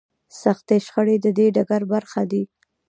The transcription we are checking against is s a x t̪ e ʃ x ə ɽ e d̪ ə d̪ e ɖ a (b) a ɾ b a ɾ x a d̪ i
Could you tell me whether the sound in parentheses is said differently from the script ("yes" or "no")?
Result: yes